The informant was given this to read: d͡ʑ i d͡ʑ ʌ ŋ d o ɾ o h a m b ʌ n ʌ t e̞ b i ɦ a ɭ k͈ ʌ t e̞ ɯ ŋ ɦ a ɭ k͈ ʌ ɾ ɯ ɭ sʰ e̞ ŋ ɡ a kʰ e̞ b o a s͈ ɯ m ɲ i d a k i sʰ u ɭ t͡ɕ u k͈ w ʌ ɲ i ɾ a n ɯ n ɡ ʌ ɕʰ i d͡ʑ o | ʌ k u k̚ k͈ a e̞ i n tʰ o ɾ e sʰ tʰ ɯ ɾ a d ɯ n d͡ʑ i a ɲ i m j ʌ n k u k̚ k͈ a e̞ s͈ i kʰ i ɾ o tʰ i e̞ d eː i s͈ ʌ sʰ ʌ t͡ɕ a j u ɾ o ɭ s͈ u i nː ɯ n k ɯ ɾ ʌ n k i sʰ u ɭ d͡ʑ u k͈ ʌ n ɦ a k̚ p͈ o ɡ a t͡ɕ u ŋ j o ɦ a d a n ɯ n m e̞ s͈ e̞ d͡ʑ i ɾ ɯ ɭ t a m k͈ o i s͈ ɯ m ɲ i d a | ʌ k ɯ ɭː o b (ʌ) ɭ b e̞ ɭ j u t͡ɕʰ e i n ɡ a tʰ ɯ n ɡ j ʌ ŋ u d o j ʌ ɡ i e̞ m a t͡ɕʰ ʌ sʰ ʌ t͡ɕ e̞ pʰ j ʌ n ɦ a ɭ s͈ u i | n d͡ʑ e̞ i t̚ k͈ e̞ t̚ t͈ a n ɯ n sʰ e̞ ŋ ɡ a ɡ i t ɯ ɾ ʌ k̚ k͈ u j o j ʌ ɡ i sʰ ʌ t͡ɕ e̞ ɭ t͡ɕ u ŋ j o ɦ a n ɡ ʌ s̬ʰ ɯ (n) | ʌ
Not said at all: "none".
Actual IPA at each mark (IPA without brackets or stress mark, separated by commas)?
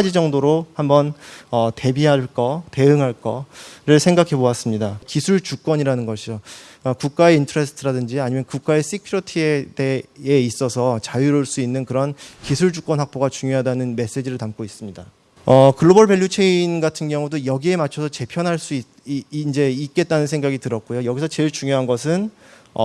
ʌ, n